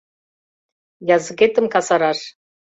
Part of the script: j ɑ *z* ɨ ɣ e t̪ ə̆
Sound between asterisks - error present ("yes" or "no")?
no